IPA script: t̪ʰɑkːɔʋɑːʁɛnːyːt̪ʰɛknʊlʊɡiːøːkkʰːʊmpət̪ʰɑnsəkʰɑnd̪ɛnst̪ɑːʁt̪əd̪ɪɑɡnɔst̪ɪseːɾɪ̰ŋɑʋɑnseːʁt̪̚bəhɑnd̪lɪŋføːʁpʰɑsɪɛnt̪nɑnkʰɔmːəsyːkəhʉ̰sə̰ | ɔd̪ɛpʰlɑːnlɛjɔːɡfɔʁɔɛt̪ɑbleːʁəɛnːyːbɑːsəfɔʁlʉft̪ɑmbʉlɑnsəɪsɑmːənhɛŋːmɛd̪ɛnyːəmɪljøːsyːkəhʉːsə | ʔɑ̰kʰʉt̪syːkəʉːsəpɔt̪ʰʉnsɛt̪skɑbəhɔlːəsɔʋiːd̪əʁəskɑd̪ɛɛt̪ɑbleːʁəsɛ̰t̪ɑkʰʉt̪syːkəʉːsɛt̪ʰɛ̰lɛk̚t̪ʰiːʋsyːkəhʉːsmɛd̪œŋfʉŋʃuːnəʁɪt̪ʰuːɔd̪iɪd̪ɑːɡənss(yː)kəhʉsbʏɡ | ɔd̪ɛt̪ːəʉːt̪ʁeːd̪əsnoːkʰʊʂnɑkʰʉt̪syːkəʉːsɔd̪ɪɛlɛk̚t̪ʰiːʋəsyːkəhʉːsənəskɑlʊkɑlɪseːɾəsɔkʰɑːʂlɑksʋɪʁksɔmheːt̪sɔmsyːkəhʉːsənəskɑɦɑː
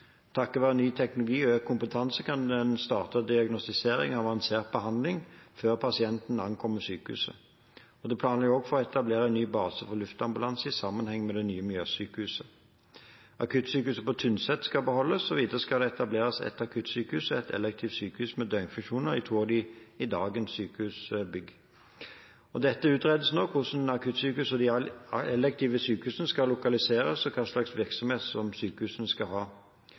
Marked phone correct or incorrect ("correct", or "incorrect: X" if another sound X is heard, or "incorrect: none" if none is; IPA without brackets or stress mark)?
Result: correct